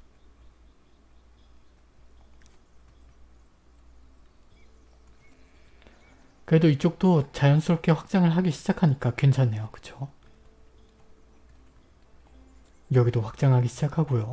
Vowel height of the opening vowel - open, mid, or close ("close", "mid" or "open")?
close